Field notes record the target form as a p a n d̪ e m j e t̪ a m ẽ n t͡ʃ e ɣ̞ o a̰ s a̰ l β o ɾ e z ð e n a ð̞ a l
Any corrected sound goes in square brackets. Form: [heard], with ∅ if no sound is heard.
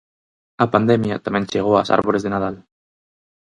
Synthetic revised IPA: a p a n d̪ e m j [a] t̪ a m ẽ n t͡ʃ e ɣ̞ o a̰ s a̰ [ɾ] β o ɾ e z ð e n a ð̞ a l